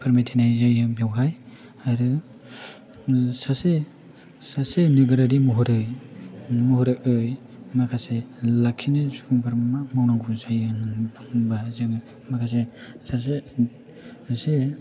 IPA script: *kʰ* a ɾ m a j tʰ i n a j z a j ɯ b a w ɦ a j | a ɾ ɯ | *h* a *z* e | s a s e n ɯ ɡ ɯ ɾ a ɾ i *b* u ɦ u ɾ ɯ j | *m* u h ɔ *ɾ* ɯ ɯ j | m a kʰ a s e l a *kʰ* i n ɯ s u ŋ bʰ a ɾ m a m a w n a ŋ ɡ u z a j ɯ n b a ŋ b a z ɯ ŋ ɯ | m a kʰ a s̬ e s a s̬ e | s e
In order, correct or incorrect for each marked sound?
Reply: incorrect, incorrect, incorrect, incorrect, correct, correct, correct

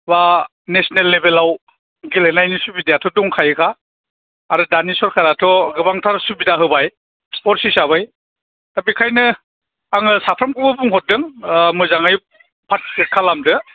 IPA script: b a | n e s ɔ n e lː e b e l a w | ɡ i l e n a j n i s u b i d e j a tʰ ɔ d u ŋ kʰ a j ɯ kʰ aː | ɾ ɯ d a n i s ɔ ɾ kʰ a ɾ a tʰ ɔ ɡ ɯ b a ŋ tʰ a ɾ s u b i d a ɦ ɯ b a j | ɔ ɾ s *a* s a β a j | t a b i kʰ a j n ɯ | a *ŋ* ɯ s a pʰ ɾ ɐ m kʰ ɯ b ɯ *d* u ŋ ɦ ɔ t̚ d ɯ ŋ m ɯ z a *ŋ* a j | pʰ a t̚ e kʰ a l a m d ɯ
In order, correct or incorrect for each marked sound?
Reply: incorrect, correct, incorrect, correct

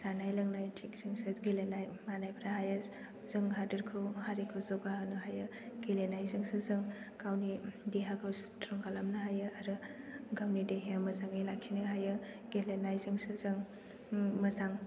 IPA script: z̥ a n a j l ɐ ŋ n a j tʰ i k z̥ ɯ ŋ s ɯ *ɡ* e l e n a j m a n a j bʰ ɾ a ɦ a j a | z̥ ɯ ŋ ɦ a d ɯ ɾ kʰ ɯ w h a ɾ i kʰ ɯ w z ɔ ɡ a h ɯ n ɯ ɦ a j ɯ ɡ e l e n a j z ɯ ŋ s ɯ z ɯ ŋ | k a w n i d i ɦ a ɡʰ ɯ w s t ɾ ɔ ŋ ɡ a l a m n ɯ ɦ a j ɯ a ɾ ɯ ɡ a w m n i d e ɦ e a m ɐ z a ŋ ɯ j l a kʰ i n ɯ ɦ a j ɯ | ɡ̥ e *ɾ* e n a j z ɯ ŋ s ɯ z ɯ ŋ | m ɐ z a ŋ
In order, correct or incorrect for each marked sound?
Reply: correct, incorrect

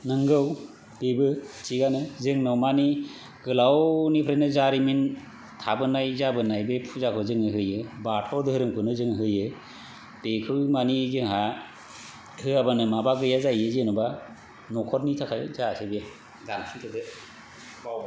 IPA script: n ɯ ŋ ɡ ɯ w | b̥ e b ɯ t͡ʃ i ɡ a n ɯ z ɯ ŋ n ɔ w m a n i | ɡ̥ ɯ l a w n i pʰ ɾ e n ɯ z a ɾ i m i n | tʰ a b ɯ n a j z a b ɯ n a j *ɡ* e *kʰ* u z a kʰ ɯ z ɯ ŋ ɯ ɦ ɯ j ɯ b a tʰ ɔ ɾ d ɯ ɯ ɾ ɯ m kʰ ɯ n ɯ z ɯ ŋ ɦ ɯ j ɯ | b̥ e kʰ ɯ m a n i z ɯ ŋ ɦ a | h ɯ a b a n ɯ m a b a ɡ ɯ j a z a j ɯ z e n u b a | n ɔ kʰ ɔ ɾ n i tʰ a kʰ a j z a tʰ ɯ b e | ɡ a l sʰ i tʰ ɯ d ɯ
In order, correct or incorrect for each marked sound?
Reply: incorrect, incorrect

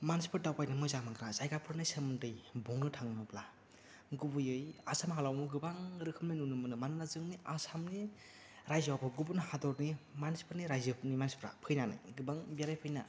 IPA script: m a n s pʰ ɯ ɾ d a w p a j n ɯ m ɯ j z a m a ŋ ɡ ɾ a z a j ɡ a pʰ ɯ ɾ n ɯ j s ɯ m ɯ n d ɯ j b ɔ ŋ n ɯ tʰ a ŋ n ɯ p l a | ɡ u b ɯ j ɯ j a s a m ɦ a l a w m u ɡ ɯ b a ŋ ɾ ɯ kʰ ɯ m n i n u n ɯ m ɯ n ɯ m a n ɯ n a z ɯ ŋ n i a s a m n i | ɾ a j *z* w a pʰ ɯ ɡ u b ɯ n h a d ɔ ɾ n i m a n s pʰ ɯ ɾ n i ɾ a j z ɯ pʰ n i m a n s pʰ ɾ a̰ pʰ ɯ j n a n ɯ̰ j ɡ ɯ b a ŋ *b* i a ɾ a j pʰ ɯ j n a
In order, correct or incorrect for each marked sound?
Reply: correct, correct

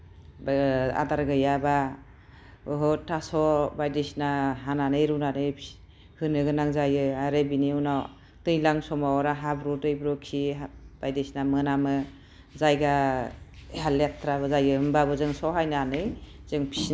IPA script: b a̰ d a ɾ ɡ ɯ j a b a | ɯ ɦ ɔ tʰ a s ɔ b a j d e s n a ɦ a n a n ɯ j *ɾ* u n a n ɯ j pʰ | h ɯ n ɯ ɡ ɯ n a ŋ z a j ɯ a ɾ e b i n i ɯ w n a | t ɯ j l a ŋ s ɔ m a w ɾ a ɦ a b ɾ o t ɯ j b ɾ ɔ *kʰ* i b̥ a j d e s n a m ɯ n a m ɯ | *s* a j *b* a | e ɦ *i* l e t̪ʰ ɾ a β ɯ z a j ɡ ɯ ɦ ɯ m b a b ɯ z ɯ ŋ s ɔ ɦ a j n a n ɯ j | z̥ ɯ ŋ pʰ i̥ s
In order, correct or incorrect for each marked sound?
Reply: correct, correct, incorrect, incorrect, incorrect

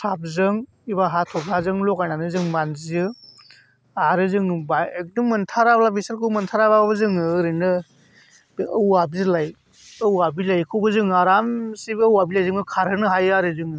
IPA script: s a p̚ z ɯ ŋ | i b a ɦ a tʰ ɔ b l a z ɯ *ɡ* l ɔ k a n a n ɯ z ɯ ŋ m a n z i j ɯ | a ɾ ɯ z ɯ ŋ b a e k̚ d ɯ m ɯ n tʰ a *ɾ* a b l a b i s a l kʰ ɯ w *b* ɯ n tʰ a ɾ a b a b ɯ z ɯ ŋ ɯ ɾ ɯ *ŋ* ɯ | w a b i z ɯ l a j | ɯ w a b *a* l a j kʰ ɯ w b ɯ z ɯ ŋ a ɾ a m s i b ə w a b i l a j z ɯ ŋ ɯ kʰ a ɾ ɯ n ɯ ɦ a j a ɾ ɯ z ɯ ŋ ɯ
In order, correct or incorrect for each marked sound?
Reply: incorrect, correct, incorrect, incorrect, incorrect

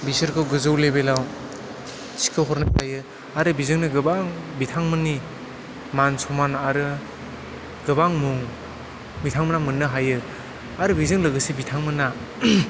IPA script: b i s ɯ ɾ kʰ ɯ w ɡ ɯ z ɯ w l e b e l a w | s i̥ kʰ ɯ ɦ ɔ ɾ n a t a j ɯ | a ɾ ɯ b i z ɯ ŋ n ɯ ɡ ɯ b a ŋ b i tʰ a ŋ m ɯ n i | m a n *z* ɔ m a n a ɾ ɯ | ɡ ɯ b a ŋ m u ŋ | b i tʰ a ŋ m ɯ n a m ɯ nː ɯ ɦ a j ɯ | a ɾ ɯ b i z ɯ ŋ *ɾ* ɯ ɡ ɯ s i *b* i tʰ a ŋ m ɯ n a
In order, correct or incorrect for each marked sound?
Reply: incorrect, incorrect, correct

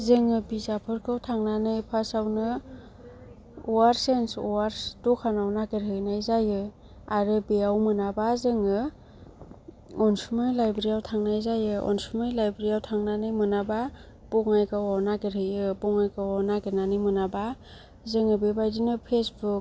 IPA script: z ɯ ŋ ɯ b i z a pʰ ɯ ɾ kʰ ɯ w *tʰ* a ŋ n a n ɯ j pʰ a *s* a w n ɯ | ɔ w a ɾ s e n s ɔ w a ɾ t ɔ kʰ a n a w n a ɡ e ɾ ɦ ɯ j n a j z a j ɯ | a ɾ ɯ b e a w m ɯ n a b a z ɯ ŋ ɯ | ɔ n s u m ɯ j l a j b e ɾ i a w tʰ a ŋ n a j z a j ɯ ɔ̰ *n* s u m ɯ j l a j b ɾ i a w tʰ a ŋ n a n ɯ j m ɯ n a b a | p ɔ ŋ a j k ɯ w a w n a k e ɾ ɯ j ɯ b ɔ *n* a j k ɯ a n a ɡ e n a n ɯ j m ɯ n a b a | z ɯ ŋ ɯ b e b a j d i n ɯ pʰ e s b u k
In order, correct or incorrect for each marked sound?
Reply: correct, correct, correct, incorrect

